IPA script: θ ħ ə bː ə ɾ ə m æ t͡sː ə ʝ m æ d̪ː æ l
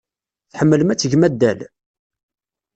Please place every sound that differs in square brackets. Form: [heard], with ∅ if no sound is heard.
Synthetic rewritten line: θ ħ ə [mː] ə [l] ə m æ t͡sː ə ʝ m æ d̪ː æ l